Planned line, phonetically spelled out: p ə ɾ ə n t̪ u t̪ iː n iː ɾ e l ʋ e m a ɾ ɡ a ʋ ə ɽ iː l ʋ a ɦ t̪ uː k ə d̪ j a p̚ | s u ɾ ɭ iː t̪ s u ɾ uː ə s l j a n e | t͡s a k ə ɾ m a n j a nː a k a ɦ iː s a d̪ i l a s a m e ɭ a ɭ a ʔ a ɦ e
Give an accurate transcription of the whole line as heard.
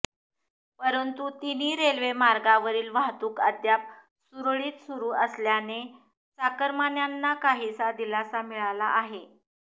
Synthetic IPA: p ə ɾ ə n t̪ u t̪ i n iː ɾ e l ʋ e m a ɾ ɡ a ʋ ə ɾ iː l ʋ a ɦ t̪ uː k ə d̪ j a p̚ | s u ɾ ɭ iː t̪ s u ɾ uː ə s l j a n e | t͡s a k ə ɾ m a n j a nː a k a ɦ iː s a d̪ i l a s a m i ɭ a l a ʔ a ɦ e